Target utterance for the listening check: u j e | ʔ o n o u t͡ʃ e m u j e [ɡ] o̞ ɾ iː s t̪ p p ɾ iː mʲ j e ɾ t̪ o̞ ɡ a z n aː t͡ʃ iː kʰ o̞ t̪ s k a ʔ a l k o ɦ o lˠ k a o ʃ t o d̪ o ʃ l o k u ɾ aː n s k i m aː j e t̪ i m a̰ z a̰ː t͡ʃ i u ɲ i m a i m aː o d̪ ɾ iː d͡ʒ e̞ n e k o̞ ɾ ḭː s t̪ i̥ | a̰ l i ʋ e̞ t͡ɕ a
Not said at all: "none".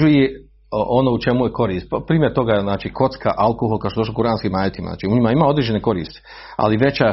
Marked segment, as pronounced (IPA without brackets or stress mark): k